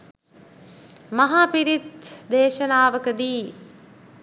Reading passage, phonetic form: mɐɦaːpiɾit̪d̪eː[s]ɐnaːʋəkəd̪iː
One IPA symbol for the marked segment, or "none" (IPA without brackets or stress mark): ʃ